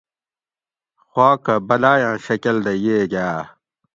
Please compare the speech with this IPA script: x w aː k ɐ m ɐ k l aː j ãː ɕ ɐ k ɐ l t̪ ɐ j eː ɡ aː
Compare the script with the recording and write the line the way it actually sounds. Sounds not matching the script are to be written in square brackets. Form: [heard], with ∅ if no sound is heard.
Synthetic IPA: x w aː k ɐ [b] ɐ [∅] l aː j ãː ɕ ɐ k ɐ l [d̪] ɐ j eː ɡ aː